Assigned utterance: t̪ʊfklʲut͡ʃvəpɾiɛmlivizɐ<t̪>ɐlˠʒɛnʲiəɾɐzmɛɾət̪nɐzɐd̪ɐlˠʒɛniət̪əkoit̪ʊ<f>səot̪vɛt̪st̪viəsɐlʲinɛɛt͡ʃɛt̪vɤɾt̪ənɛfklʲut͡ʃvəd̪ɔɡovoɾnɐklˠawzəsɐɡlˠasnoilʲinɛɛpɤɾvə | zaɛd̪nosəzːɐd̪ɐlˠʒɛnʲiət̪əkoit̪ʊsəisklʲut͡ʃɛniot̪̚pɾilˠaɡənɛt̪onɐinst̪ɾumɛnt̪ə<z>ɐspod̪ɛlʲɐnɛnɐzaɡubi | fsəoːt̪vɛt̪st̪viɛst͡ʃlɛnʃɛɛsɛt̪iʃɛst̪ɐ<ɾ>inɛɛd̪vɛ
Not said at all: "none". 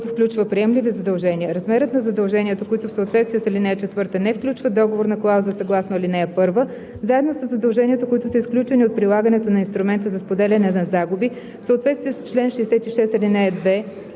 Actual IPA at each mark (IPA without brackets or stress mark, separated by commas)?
d̪, f, z, l